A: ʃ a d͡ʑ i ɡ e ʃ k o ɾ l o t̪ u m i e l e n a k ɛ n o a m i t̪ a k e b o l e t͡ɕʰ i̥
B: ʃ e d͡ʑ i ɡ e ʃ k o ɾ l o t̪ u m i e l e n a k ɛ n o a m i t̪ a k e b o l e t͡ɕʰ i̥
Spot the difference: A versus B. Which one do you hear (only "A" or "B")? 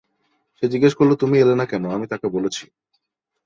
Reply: B